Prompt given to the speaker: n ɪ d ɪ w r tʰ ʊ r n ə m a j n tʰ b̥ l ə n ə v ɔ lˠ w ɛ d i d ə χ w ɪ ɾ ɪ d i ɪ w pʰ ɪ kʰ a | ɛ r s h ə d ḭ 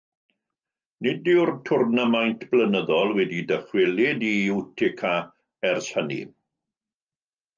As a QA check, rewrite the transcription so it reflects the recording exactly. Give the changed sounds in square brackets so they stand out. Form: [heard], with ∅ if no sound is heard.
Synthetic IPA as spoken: n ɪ d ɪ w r tʰ ʊ r n ə m a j n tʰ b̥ l ə n ə [ð] ɔ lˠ w ɛ d i d ə χ w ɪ [l] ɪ d i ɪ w [tʰ] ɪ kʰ a | ɛ r s h ə [n] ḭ